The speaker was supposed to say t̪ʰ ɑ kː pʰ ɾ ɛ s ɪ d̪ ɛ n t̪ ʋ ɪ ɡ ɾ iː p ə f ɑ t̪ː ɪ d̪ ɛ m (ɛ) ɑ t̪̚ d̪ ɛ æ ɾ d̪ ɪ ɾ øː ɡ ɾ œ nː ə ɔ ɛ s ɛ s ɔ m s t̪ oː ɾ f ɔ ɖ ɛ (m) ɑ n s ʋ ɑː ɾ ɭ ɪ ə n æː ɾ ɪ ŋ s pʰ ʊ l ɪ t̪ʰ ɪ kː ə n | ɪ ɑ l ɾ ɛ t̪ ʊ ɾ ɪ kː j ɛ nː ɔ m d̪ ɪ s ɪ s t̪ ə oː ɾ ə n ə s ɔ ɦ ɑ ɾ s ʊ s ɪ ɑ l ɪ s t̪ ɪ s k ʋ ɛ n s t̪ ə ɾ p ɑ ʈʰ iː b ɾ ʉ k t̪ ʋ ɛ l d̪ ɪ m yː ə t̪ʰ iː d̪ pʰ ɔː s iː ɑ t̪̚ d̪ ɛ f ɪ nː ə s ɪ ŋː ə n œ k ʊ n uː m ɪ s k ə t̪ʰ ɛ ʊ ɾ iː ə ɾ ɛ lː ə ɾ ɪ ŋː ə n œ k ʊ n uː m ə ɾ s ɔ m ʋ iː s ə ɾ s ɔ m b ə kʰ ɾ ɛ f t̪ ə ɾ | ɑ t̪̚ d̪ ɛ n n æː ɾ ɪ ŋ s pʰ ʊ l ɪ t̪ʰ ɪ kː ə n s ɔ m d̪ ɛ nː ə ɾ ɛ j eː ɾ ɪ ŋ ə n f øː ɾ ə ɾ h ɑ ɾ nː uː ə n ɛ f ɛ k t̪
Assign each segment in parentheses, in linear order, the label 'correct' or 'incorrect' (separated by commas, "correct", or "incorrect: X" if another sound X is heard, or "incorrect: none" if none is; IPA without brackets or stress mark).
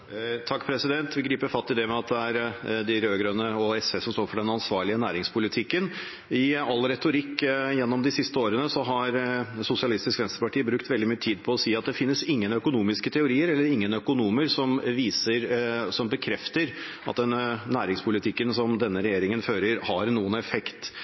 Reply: correct, incorrect: n